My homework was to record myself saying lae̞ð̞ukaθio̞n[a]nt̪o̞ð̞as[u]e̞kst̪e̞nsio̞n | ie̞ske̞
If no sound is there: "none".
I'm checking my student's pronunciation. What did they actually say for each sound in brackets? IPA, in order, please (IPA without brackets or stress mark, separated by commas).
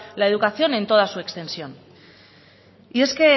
e, u